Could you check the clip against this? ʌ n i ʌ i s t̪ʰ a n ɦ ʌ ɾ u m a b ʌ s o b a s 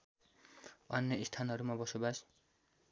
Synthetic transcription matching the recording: ʌ n j ʌ i s t̪ʰ a n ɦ ʌ ɾ u m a b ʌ s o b a s